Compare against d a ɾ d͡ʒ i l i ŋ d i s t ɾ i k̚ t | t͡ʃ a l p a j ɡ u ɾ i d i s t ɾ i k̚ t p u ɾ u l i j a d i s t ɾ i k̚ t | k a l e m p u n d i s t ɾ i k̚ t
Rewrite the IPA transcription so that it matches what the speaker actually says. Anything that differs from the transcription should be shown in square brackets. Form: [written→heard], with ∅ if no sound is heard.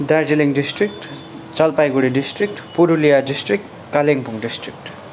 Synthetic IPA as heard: d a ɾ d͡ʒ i l i ŋ d i s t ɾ i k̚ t | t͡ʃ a l p a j ɡ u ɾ i d i s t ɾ i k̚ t p u ɾ u l i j a d i s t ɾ i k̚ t | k a l e [m→ŋ] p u [n→ŋ] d i s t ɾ i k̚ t

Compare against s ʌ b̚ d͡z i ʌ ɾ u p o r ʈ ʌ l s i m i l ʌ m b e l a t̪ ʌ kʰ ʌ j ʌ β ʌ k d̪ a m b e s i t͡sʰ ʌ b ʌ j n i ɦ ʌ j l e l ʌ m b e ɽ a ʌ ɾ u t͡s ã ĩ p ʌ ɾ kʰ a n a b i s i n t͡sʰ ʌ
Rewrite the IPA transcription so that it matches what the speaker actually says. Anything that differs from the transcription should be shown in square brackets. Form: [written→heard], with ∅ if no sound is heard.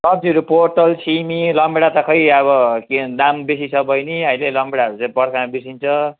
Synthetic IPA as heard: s ʌ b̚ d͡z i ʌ ɾ u p o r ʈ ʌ l s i m i l ʌ m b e [l→ɽ] a t̪ ʌ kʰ ʌ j ʌ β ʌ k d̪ a m b e s i t͡sʰ ʌ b ʌ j n i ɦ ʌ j l e l ʌ m b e ɽ a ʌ ɾ u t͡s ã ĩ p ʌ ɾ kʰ a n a b i s i n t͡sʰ ʌ

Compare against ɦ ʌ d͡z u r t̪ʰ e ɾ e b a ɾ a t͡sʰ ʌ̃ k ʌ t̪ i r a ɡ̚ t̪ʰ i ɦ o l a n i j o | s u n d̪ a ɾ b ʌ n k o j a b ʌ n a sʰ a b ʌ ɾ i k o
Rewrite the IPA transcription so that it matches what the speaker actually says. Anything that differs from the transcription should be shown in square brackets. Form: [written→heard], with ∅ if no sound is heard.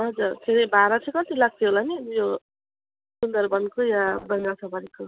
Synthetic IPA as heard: ɦ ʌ d͡z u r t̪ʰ e ɾ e b a ɾ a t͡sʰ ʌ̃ k ʌ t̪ i [r→l] a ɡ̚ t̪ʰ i ɦ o l a n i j o | s u n d̪ [a→ʌ] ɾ b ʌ n k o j a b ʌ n a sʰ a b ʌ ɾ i k o

